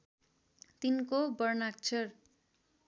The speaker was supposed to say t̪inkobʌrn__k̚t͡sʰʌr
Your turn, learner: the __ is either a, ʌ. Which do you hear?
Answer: a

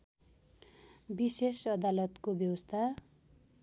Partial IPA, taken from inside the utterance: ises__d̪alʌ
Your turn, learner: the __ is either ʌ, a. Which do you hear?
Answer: ʌ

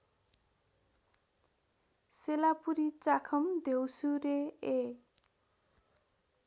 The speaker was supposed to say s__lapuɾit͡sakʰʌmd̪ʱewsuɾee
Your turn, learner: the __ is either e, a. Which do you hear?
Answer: e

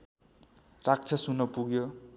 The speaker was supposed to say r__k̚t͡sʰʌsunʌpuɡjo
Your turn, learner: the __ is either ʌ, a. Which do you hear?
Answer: a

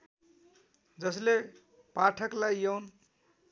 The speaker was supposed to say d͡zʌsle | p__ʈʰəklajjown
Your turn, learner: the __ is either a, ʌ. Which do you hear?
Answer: a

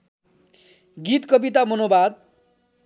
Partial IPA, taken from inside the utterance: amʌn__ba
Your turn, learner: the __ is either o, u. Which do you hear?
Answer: o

